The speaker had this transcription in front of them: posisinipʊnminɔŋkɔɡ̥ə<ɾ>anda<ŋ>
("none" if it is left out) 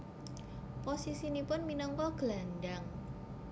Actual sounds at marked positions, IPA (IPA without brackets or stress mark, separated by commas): l, ŋ